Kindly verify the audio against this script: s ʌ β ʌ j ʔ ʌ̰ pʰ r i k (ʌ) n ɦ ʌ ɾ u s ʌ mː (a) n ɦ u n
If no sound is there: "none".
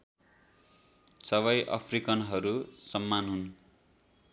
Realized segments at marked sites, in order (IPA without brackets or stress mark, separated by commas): ʌ, a